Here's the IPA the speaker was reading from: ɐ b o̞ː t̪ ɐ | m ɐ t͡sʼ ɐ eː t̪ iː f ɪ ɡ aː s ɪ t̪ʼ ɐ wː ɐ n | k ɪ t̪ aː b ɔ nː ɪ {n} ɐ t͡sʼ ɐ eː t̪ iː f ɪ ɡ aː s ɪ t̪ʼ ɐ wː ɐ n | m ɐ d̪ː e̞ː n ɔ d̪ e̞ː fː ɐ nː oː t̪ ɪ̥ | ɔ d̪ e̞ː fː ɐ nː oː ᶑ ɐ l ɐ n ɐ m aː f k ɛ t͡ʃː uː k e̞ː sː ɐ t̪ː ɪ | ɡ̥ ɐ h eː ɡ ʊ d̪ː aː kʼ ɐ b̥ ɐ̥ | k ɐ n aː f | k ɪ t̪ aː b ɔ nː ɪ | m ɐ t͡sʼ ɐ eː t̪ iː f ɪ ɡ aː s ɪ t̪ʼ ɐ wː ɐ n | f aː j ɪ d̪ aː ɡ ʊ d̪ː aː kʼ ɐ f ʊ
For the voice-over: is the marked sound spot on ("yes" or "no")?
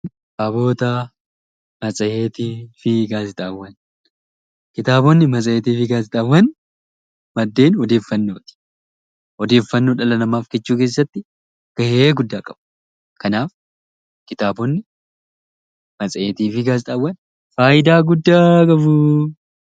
no